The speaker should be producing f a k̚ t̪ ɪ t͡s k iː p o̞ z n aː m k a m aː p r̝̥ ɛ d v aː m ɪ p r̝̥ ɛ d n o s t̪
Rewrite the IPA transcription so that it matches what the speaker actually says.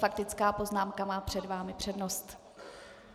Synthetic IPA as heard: f a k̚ t̪ ɪ t͡s k aː p o̞ z n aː m k a m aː p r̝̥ ɛ d v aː m ɪ p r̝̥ ɛ d n o s t̪